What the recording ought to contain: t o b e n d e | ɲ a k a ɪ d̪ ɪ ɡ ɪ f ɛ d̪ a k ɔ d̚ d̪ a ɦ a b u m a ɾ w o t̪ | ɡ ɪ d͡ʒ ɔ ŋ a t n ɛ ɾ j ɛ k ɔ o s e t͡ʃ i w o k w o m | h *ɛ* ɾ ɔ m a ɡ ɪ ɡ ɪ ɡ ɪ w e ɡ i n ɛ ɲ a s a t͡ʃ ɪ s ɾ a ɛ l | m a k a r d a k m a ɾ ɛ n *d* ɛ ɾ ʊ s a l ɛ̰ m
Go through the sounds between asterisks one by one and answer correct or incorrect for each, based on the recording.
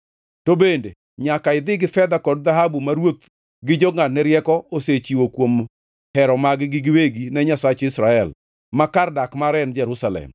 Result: correct, incorrect

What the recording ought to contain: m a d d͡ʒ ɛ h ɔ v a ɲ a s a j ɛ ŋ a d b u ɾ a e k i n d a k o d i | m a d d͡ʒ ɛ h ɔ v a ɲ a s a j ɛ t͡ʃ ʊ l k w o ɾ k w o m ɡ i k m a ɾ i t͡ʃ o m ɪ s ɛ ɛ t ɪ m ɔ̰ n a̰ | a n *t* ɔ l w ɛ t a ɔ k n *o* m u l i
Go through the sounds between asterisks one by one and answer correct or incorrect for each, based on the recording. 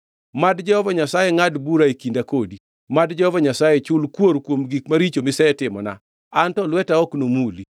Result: correct, correct

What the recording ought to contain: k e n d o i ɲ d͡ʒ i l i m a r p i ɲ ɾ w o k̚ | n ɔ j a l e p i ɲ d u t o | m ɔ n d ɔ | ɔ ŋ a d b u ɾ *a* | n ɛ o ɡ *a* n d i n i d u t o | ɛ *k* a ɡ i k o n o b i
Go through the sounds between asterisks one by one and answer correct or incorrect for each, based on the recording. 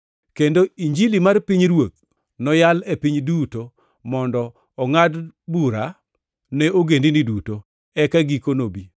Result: correct, incorrect, correct

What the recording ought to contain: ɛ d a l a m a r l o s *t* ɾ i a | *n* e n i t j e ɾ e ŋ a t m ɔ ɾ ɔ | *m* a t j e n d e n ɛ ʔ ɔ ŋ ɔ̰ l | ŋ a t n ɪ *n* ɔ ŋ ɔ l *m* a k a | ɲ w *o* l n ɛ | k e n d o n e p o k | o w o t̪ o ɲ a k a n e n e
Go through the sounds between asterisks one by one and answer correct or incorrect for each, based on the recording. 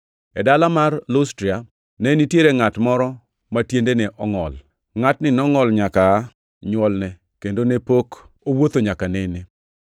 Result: correct, correct, correct, correct, incorrect, incorrect

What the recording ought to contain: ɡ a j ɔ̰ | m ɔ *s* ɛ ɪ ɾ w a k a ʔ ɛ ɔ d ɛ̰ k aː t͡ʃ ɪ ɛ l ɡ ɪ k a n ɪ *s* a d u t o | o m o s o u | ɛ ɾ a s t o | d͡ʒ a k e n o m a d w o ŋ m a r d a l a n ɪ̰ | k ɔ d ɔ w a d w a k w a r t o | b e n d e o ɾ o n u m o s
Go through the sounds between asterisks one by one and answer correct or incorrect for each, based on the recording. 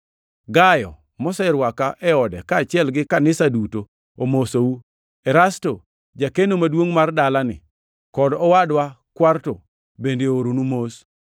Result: correct, correct

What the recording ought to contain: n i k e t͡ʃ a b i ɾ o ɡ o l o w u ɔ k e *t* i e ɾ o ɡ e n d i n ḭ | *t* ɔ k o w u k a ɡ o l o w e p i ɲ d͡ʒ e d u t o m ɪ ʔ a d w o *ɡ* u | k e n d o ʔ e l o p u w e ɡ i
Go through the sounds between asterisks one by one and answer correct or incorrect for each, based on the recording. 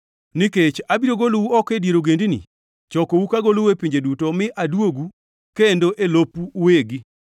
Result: incorrect, incorrect, correct

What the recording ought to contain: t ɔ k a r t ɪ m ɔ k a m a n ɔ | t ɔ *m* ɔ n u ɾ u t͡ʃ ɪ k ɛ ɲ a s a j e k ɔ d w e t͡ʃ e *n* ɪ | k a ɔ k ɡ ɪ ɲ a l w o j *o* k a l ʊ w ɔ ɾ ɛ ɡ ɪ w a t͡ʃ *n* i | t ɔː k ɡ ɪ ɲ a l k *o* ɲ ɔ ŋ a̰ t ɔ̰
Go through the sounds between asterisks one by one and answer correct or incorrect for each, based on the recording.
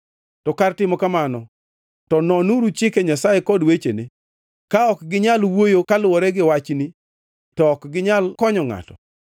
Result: incorrect, correct, correct, correct, incorrect

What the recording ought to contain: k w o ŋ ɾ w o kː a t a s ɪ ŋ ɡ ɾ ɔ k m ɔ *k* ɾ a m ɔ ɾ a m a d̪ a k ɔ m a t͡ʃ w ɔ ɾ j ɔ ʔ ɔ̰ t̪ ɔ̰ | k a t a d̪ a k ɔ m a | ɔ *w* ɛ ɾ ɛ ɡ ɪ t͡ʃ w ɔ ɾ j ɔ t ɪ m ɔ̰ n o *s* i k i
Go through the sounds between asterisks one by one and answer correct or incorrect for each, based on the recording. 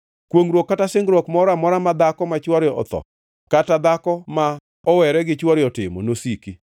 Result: incorrect, correct, correct

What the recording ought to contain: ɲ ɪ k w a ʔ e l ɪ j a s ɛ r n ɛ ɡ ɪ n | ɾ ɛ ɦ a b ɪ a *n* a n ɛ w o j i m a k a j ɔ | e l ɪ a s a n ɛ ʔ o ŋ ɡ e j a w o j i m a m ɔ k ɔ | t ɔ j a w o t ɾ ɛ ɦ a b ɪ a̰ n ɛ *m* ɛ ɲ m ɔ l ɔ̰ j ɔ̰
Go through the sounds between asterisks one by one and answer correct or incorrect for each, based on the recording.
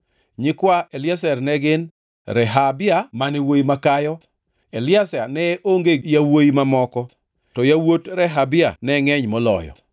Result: incorrect, incorrect

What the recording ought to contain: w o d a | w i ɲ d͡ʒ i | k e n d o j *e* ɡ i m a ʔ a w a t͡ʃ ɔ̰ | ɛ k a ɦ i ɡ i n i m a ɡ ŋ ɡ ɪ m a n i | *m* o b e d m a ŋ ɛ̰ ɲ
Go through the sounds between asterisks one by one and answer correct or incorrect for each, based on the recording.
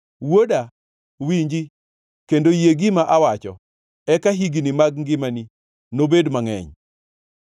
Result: correct, incorrect

